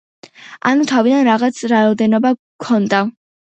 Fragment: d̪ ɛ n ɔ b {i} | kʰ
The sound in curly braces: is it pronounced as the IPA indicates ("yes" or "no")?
no